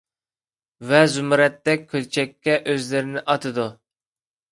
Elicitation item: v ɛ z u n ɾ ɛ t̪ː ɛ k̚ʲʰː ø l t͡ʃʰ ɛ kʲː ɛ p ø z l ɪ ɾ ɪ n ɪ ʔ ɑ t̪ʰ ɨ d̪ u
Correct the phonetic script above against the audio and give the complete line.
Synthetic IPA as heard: v ɛ z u m ɾ ɛ t̪ː ɛ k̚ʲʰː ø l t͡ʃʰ ɛ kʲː ɛ ʔ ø z l ɪ ɾ ɪ n ɪ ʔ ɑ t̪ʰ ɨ d̪ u